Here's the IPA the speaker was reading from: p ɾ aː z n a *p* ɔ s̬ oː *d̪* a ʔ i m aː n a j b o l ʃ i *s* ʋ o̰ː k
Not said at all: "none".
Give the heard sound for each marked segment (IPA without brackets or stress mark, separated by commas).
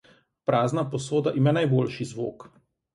p, d̪, z